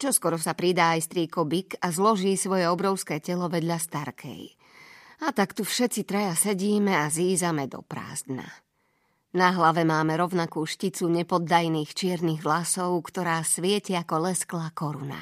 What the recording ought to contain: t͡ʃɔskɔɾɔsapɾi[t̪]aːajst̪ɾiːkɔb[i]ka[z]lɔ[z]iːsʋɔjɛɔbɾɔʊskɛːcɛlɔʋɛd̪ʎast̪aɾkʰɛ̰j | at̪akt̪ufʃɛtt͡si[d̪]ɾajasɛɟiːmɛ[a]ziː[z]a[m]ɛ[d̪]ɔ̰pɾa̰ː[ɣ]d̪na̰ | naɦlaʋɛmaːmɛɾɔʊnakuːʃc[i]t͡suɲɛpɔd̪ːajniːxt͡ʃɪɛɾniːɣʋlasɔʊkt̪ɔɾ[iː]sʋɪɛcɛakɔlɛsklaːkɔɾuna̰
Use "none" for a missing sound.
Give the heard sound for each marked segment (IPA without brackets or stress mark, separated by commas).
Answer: d̪, i, z, ʒ, t̪, a, z, m, d̪, z, i, aː